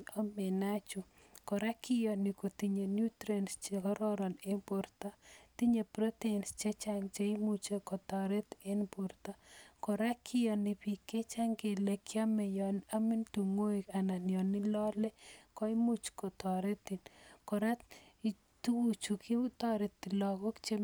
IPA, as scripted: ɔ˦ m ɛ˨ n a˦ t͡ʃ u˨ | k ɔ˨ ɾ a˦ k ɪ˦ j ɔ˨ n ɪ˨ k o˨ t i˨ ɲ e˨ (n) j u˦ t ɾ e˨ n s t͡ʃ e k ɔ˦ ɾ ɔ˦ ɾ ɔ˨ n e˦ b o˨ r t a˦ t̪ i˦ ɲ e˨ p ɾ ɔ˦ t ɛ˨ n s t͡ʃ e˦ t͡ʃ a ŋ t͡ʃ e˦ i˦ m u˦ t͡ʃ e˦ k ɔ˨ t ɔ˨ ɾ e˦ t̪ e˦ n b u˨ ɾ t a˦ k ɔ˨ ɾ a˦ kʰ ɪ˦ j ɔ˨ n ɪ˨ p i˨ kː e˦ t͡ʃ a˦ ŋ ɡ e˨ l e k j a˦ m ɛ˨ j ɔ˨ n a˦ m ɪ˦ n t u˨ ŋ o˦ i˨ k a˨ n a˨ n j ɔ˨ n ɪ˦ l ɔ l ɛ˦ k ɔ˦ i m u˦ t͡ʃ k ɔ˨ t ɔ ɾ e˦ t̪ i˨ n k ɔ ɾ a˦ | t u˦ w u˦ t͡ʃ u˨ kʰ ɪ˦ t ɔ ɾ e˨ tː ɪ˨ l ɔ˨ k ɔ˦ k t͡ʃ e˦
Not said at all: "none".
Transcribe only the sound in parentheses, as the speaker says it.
n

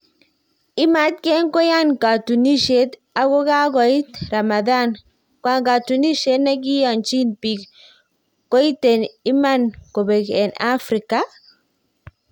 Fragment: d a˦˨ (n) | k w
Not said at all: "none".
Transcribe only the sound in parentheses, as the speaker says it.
n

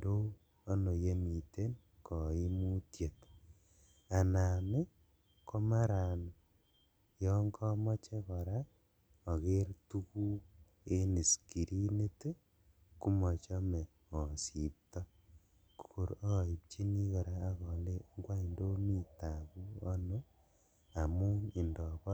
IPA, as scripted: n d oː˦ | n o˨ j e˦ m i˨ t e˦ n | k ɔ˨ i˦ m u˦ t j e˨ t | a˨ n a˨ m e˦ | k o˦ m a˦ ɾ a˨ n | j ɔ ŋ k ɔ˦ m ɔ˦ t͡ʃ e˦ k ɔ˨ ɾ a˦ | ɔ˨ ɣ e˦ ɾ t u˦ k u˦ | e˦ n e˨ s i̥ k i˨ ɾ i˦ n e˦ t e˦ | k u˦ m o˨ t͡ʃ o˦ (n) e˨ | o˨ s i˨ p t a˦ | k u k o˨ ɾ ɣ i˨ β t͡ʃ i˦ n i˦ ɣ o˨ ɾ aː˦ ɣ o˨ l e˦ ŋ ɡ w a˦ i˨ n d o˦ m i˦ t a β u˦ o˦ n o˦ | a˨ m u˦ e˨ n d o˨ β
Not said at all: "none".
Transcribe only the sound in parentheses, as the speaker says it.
m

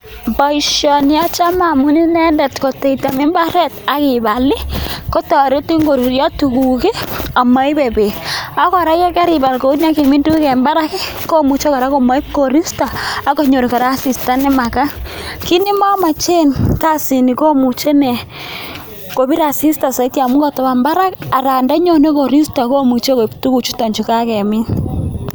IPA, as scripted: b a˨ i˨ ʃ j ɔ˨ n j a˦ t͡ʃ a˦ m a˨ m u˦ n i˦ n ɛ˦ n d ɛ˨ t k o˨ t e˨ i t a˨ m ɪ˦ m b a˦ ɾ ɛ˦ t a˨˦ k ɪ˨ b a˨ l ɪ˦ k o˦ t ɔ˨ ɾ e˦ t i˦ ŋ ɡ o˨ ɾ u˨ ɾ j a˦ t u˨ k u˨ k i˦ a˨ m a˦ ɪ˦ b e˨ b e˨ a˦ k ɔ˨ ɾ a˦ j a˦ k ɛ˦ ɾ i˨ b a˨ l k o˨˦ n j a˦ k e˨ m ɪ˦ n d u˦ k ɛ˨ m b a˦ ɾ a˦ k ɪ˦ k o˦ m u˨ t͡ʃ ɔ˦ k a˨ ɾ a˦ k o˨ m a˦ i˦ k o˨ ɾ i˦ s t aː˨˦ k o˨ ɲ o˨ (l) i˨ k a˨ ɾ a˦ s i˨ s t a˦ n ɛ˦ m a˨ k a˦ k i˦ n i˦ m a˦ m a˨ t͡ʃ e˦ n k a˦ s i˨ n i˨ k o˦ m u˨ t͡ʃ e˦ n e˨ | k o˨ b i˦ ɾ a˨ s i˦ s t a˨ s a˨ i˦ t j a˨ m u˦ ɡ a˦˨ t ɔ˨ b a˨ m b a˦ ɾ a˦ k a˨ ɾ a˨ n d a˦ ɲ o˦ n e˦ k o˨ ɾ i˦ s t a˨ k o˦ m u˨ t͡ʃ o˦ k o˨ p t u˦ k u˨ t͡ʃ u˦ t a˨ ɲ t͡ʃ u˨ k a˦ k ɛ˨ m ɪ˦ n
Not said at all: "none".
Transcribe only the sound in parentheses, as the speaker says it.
ɾ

